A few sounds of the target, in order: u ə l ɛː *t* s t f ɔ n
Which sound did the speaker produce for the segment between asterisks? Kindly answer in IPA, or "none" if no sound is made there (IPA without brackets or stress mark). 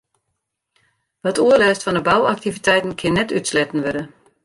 none